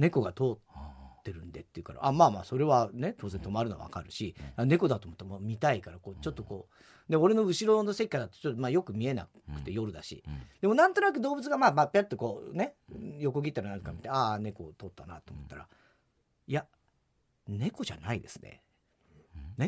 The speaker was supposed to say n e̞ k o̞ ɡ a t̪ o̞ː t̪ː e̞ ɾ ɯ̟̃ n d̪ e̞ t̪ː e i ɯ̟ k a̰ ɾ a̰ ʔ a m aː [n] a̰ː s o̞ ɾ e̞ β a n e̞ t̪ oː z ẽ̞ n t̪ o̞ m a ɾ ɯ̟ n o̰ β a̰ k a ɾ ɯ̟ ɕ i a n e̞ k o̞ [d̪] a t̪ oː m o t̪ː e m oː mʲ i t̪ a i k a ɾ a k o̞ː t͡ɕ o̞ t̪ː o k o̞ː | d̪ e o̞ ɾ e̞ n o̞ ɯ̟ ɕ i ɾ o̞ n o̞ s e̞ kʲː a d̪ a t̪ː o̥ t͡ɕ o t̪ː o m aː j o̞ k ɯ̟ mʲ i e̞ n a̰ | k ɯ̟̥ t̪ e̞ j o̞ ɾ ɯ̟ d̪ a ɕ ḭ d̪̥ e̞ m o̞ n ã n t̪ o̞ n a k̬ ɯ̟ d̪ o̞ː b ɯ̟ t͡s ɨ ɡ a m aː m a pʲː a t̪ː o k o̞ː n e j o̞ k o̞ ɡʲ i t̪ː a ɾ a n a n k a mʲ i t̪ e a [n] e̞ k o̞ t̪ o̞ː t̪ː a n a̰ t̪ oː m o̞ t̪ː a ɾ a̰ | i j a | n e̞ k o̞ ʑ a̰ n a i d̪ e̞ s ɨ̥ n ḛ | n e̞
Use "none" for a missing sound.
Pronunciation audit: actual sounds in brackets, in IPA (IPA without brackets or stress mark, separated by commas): m, d̪, n